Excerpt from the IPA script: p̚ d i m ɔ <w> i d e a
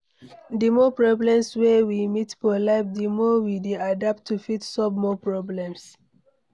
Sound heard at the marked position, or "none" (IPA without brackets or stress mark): w